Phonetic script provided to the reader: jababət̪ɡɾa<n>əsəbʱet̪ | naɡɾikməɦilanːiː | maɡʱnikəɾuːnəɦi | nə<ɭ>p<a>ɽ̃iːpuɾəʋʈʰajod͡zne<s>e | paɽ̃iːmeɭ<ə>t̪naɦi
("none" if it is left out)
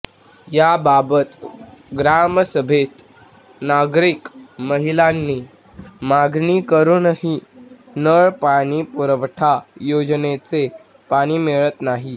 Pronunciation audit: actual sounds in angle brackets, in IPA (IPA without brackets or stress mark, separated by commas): m, ɭ, a, t͡s, ə